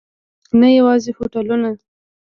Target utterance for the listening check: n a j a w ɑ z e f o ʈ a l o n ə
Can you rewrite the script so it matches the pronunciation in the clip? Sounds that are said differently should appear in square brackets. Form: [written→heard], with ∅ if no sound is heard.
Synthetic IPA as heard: n a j a w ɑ z e f o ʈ a l [o→u] n [ə→a]

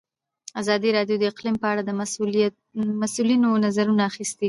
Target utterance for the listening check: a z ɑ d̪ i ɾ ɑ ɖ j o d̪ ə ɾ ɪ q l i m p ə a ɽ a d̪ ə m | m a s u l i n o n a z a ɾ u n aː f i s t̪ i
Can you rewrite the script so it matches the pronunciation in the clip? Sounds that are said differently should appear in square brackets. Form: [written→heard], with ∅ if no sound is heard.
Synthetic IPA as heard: a z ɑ d̪ i ɾ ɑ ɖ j o d̪ ə [ɾ→∅] ɪ q l i m p ə a ɽ a d̪ ə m | m a s u l i n o n a z a ɾ u n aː [f→x] i s t̪ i

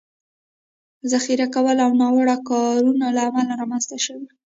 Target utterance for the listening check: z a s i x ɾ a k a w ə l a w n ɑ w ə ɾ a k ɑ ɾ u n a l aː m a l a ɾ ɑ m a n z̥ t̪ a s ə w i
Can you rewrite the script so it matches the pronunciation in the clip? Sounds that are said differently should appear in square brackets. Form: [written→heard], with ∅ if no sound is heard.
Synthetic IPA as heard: z a [s→x] i [x→∅] ɾ a k a w ə l a w n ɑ w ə [ɾ→ɽ] a k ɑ ɾ u n a l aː m a l a ɾ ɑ m a n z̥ t̪ a [s→ʃ] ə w i

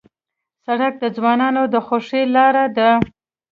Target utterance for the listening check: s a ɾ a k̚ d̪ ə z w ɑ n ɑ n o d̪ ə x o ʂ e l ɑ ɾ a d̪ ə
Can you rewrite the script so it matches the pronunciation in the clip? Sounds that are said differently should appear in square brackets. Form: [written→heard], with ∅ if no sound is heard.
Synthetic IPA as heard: s a [ɾ→ɽ] a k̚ d̪ ə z w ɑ n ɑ n o d̪ ə x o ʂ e l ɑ ɾ a d̪ ə

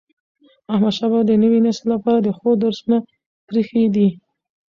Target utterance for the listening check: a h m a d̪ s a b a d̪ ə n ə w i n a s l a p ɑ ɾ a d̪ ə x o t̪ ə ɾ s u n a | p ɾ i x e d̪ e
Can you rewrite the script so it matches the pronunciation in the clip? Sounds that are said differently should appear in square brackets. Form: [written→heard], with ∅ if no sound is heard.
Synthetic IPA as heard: a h m a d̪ [s→ʃ] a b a d̪ ə n ə w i n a s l a p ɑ ɾ a d̪ ə x o [t̪→d̪] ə ɾ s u n a | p ɾ i x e d̪ [e→i]

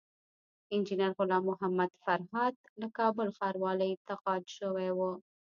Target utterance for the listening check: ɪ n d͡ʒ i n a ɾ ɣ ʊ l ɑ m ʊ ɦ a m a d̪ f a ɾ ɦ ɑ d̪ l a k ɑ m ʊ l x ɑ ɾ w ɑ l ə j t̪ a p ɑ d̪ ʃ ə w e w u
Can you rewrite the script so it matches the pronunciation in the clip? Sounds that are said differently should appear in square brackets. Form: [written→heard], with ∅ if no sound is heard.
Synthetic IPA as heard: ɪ n d͡ʒ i n a ɾ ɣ ʊ l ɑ m ʊ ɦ a m a d̪ f a ɾ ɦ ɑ d̪ l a k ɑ [m→b] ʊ l x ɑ ɾ w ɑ l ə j t̪ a [p→q] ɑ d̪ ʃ ə w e w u

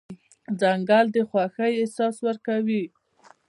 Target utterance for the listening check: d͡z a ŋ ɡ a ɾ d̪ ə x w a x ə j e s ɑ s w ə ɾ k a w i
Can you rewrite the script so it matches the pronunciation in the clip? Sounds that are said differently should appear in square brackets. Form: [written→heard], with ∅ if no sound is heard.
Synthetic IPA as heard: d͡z a ŋ ɡ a [ɾ→l] d̪ ə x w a x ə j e s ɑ s w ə ɾ k a w i

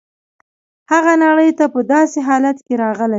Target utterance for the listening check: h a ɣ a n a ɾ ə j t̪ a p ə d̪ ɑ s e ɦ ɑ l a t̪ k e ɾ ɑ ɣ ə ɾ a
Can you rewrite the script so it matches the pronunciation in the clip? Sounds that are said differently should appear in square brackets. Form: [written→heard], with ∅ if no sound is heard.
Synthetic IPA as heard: h a ɣ a n a [ɾ→ɽ] ə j t̪ a p ə d̪ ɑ s e ɦ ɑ l a t̪ k e ɾ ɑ ɣ ə [ɾ→l] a

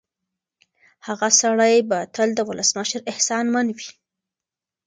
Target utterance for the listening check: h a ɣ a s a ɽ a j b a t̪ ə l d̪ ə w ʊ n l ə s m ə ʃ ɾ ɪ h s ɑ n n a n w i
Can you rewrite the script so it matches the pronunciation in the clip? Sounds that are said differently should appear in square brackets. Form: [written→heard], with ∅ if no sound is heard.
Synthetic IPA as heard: h a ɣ a s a ɽ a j b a t̪ ə l d̪ ə w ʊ [n→∅] l ə s m ə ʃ ɾ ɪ h s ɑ n [n→m] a n w i

